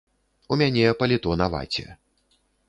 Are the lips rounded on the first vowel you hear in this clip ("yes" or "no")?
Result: yes